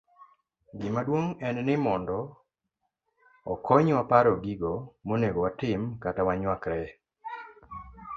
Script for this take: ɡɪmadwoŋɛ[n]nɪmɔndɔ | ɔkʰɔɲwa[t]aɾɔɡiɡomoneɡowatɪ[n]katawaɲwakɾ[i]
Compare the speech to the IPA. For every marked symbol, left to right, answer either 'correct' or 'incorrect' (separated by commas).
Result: correct, incorrect, incorrect, incorrect